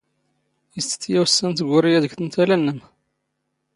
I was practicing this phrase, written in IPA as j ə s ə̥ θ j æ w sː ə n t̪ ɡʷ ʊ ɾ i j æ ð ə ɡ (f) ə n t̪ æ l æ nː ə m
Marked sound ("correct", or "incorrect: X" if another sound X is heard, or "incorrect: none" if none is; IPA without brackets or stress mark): incorrect: θ